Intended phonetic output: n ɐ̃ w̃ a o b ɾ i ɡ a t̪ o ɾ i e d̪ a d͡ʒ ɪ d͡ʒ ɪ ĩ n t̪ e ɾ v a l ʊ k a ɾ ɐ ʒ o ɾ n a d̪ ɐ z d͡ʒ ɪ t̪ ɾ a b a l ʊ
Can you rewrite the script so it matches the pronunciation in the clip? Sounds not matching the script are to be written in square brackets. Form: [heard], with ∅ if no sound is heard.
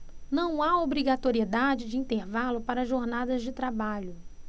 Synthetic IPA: n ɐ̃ w̃ a o b ɾ i ɡ a t̪ o ɾ i e d̪ a d͡ʒ ɪ d͡ʒ ɪ ĩ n t̪ e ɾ v a l ʊ [p] a ɾ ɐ ʒ o ɾ n a d̪ ɐ z d͡ʒ ɪ t̪ ɾ a b a [ʎ] ʊ